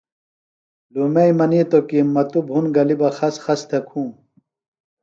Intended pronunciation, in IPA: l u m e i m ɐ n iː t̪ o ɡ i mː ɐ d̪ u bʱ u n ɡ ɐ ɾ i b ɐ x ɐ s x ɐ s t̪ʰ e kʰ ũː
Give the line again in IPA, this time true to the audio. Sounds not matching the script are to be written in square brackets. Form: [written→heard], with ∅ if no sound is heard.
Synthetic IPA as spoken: l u m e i m ɐ n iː t̪ o [ɡ→k] i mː ɐ [d̪→t̪] u bʱ u n ɡ ɐ [ɾ→l] i b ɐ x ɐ s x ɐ s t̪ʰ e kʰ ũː